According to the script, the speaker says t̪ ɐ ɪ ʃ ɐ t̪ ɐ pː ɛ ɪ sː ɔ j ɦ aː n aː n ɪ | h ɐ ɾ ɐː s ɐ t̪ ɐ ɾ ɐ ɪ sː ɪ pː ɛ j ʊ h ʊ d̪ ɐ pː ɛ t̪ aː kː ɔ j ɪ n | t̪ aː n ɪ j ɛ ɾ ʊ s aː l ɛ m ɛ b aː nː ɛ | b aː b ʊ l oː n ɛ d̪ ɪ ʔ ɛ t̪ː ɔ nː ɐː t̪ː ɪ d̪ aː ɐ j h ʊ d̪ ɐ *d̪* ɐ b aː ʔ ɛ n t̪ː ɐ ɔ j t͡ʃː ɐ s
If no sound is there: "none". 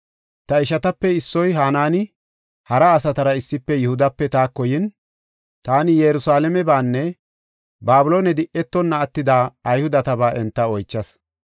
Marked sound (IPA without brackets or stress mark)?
t̪